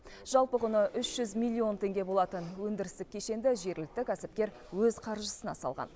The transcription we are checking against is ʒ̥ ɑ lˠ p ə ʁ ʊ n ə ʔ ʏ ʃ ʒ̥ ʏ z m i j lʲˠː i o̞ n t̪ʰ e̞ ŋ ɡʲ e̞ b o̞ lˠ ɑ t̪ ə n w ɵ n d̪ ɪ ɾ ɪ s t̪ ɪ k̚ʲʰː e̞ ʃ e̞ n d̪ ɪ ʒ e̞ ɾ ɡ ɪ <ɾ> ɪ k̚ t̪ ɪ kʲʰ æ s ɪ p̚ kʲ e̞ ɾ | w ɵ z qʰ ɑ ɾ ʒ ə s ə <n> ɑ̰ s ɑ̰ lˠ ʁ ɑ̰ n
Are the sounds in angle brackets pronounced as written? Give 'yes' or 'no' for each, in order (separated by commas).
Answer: no, yes